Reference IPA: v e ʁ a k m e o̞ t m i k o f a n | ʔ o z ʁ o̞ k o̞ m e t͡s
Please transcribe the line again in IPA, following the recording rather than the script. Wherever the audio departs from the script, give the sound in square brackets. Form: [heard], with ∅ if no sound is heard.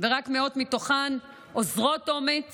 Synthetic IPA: v e ʁ a k m e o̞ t m i [t] o [χ] a n | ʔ o z ʁ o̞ [t] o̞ m e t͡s

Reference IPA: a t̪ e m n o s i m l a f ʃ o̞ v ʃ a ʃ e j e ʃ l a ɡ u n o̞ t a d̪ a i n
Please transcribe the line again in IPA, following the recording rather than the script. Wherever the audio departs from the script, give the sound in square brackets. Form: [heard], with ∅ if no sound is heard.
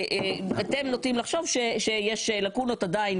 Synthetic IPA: a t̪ e m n o [t] i m l a [χ] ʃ o̞ v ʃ [e] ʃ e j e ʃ l a [k] u n o̞ t a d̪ a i n

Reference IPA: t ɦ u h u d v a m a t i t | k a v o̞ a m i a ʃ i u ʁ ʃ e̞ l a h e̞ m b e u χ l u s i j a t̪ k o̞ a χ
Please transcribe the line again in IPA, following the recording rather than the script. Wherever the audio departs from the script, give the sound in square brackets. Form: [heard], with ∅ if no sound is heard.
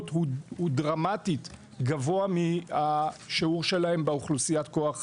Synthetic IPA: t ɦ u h u d [ʁ] a m a t i t | [ɡ] a v o̞ a m i a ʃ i u ʁ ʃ e̞ l a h e̞ m b e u χ l u s i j a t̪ k o̞ a χ

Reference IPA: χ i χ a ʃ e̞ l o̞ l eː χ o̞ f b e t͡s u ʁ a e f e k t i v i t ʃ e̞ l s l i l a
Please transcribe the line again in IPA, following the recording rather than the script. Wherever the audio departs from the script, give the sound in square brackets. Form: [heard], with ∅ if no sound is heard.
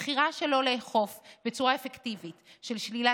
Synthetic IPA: χ i [ʁ] a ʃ e̞ l o̞ l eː χ o̞ f b e t͡s u ʁ a e f e k t i v i t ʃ e̞ l [ʃ] l i l a

